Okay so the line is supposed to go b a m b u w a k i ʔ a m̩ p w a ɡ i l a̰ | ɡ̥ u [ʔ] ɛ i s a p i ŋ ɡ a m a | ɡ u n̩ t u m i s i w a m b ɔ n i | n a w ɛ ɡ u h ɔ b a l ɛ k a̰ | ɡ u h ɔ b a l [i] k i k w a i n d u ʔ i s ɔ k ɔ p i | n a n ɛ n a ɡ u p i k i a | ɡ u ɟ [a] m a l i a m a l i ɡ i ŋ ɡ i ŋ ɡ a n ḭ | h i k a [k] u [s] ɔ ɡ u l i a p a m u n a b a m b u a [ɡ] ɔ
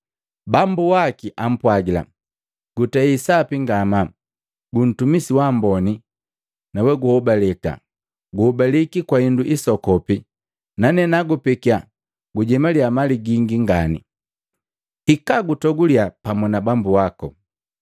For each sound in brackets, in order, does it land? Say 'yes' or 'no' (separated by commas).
no, yes, no, no, no, no